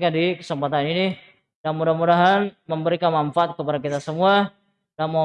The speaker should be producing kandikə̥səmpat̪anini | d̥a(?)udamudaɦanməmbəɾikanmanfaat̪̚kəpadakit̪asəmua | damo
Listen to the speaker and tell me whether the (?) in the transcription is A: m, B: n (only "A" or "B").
A